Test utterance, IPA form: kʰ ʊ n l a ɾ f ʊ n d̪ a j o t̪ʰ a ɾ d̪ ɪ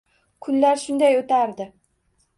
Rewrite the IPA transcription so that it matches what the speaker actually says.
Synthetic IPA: kʰ ʊ n l a ɾ ʃ ʊ n d̪ a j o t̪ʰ a ɾ d̪ ɪ